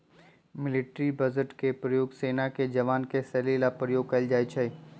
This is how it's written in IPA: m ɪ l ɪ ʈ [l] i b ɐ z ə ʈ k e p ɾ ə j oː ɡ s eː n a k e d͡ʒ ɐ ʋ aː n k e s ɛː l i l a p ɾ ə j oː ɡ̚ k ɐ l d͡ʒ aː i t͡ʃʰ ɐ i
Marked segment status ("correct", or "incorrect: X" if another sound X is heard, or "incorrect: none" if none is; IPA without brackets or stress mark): incorrect: ɾ